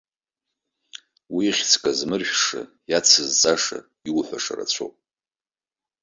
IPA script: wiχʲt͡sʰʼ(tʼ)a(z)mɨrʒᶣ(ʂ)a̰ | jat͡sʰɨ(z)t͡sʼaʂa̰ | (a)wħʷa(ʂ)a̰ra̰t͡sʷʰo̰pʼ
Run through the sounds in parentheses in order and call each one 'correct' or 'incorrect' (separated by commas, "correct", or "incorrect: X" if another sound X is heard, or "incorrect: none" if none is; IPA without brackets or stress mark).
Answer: incorrect: kʼ, correct, correct, correct, incorrect: i, correct